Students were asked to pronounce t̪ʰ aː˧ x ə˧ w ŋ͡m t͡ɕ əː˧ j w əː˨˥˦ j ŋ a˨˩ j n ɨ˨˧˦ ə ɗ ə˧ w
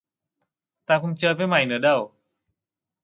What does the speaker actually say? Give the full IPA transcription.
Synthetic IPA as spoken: t̪ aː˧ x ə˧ w ŋ͡m t͡ɕ əː˧ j v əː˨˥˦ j m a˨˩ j n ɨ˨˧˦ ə ɗ ə˧ w